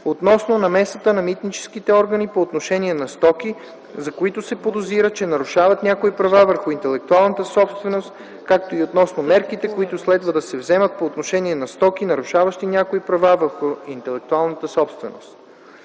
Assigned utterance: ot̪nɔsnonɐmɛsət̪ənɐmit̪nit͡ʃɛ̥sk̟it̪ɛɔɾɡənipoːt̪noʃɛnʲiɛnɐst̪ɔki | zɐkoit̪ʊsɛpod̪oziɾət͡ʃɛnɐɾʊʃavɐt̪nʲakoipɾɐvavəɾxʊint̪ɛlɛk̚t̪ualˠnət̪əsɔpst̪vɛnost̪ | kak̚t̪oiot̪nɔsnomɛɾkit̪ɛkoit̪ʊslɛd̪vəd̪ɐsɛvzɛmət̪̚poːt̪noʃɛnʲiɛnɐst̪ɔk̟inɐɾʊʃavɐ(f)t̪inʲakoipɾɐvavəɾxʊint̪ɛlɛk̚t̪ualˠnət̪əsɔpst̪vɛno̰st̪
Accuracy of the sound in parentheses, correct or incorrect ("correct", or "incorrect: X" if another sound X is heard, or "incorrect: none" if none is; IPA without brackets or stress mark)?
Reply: incorrect: ʃ